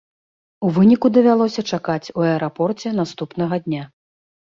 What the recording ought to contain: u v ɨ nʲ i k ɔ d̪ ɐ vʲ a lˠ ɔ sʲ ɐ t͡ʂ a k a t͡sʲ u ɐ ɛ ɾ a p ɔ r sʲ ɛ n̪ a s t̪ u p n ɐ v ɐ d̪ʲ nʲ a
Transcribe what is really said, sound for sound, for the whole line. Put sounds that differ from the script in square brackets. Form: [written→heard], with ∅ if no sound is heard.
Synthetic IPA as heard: u v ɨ nʲ i k [ɔ→u] d̪ ɐ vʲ a lˠ ɔ sʲ ɐ t͡ʂ a k a t͡sʲ u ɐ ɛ ɾ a p ɔ r [sʲ→t͡sʲ] ɛ n̪ a s t̪ u p n ɐ [v→ɣ] ɐ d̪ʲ nʲ a